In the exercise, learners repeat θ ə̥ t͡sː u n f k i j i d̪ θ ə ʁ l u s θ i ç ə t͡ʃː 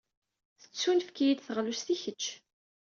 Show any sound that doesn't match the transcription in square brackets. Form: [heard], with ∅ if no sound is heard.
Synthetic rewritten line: θ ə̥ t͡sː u n f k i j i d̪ θ ə ʁ l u s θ i ç ə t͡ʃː